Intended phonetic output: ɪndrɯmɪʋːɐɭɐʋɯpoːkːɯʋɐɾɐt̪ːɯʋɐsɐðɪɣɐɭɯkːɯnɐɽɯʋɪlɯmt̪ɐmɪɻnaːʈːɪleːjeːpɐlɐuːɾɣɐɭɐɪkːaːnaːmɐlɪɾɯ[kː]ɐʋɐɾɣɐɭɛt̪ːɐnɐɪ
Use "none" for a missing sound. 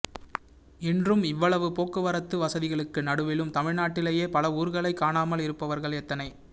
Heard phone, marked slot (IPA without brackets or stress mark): pː